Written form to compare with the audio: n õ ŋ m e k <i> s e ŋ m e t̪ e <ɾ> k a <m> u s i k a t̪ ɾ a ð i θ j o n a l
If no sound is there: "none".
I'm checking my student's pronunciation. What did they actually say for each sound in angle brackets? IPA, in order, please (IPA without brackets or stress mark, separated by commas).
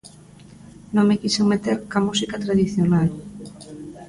i, ɾ, m